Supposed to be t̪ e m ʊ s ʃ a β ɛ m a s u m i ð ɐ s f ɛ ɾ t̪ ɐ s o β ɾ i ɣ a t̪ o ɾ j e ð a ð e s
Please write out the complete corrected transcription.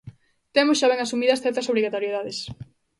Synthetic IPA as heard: t̪ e m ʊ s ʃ a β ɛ ŋ a s u m i ð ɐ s θ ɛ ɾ t̪ ɐ s o β ɾ i ɣ a t̪ o ɾ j e ð a ð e s